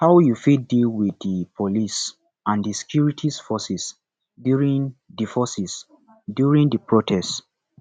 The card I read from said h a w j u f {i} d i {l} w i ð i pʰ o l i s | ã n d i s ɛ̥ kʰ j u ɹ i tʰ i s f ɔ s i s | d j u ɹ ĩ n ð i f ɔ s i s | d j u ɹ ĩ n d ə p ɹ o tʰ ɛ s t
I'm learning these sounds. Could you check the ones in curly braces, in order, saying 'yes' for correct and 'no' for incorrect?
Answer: yes, yes

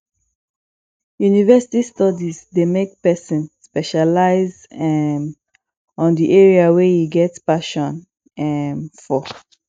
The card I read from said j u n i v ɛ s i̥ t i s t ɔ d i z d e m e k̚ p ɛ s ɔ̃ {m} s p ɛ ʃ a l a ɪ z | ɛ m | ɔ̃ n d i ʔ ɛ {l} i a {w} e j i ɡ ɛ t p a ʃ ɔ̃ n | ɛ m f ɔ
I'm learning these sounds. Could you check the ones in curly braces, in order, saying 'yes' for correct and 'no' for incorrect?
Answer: no, no, yes

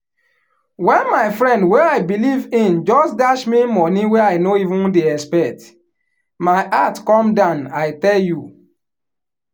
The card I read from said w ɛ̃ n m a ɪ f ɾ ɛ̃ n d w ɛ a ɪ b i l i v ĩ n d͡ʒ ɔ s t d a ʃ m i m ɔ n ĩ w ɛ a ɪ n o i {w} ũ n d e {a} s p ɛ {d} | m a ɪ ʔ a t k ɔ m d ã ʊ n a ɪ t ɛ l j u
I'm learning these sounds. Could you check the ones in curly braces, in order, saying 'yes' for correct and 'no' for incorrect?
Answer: no, no, no

